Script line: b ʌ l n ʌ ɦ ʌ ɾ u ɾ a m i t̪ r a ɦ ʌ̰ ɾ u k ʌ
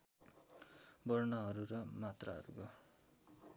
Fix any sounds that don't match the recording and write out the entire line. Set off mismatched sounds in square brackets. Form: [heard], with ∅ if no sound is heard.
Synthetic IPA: b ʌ [r] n ʌ ɦ ʌ ɾ u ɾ [ʌ] m [a] t̪ r a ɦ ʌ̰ ɾ u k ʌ